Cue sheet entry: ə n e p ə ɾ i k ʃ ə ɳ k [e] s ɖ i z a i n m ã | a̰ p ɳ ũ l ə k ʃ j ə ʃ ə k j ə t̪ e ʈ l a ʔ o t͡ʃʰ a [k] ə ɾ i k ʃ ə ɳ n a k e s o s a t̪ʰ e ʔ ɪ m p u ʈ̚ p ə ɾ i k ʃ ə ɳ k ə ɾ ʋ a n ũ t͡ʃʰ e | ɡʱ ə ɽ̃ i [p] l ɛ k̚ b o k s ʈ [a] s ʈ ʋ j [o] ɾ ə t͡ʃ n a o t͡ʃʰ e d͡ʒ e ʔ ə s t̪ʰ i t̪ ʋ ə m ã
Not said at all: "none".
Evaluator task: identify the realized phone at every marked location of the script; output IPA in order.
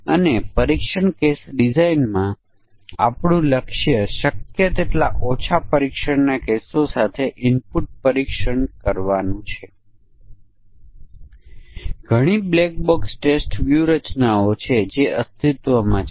e, p, b, e, u

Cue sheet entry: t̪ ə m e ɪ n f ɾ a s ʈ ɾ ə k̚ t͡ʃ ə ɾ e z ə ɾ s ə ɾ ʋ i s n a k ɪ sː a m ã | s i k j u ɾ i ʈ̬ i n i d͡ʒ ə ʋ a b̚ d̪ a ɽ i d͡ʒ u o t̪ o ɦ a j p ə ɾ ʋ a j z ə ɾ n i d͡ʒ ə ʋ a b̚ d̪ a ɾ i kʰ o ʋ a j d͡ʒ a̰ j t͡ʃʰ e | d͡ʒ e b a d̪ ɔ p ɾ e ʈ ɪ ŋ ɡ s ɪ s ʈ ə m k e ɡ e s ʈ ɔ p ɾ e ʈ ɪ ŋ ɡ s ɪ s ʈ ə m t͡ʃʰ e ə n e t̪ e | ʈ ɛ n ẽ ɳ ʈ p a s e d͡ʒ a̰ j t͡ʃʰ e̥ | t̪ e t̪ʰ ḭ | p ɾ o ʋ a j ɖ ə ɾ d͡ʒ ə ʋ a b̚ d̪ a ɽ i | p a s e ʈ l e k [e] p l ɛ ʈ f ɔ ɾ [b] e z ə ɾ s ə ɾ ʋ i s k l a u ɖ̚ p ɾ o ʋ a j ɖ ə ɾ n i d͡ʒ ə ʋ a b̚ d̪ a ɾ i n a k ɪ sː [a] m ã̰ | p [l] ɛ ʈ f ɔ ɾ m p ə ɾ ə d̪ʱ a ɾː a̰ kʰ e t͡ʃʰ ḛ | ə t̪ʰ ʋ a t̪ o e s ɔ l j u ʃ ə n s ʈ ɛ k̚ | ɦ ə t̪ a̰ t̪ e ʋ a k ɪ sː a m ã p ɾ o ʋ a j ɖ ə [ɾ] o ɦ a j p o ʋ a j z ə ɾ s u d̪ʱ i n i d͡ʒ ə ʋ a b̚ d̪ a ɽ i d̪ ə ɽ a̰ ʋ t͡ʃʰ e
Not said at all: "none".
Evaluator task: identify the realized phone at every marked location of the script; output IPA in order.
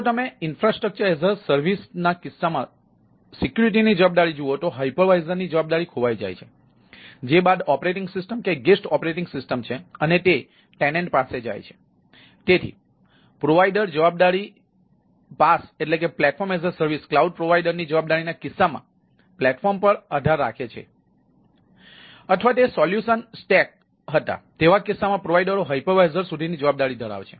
e, m, a, l, ɾ

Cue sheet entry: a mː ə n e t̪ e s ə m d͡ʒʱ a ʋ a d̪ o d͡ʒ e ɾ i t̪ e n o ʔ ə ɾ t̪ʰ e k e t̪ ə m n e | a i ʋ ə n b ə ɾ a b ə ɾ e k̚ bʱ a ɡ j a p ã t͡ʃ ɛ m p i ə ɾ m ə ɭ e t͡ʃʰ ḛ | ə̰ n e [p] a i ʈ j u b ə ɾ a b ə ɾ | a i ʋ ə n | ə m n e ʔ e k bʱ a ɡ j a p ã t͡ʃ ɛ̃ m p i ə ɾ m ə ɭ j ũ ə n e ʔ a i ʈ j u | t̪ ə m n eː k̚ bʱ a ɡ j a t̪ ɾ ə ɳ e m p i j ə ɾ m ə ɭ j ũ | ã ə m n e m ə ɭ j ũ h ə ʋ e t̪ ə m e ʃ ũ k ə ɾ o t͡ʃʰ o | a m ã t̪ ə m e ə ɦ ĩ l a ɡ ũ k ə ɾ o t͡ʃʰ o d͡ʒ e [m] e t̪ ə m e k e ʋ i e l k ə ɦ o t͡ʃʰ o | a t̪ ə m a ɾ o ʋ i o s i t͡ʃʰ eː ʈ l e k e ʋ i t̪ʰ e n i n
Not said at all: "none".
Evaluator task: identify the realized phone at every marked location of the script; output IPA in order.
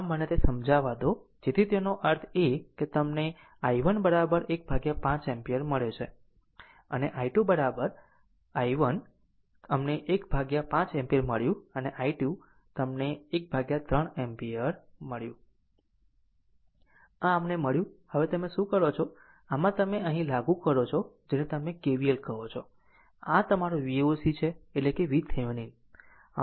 ʔ, n

